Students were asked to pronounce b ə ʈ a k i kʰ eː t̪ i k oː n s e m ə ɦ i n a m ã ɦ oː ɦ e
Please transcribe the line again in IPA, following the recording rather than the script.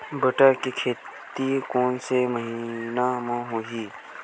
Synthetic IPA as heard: b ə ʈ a k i kʰ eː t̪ i k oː n s e m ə ɦ i n a m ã ɦ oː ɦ i